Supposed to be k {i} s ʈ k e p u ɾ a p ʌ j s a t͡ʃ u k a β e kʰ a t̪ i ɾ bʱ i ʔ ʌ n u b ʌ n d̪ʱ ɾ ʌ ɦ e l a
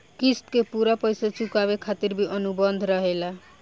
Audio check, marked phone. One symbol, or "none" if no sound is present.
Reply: i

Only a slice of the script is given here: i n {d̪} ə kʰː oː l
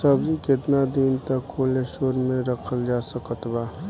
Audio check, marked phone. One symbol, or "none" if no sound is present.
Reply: t̪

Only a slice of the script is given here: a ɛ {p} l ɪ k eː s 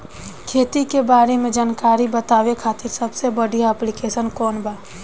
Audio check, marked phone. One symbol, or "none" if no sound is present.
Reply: p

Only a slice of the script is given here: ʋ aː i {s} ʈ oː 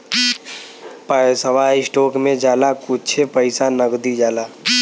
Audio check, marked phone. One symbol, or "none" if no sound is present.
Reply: s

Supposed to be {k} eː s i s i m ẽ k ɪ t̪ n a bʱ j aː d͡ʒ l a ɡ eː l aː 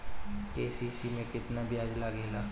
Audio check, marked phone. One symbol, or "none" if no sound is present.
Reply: k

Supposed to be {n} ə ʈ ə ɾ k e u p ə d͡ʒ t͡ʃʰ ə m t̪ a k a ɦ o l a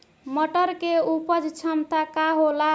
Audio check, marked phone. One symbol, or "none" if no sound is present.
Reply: m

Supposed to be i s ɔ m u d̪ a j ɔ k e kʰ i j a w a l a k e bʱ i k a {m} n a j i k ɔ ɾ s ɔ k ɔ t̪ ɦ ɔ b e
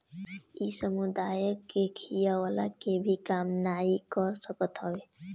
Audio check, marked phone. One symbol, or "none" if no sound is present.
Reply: m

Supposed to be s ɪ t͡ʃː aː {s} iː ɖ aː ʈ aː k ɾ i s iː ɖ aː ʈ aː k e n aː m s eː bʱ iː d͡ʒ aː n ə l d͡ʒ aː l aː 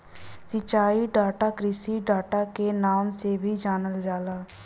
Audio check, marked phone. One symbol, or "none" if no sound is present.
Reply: none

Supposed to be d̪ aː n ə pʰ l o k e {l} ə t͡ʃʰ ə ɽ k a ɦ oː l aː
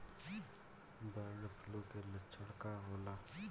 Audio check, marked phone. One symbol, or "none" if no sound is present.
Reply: l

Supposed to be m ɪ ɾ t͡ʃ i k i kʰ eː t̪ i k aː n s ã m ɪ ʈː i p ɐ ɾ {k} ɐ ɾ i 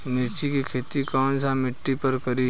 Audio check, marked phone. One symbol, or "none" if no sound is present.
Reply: k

